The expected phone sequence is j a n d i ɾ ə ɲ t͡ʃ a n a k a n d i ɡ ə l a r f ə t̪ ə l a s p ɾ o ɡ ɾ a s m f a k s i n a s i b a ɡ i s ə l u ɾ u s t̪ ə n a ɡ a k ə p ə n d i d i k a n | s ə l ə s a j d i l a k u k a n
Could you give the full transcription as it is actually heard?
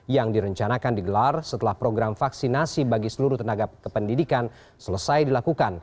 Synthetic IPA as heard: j a ŋ d i ɾ ə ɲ t͡ʃ a n a k a n d i ɡ ə l a r s ə t̪ ə l a h p ɾ o ɡ ɾ a m f a k s i n a s i b a ɡ i s ə l u ɾ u h t̪ ə n a ɡ a k ə p ə n d i d i k a n | s ə l ə s a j d i l a k u k a n